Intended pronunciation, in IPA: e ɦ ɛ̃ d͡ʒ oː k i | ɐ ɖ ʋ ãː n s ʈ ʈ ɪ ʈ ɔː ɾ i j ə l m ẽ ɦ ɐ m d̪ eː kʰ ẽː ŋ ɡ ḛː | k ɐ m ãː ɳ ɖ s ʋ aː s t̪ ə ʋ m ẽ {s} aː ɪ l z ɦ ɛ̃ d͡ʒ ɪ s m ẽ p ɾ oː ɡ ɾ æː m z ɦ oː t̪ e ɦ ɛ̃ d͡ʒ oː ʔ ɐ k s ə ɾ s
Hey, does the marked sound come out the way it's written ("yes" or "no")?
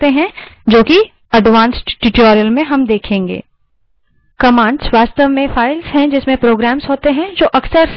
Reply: no